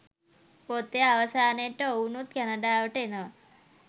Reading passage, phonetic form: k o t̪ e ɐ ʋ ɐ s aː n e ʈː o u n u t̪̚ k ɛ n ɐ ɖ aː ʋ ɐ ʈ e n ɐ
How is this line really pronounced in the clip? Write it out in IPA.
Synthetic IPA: p o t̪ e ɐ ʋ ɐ s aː n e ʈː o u n u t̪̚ k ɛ n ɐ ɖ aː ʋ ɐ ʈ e n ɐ